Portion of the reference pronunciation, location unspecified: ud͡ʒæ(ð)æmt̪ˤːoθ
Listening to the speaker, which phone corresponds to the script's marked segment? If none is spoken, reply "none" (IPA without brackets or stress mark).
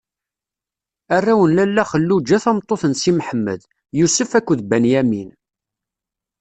θ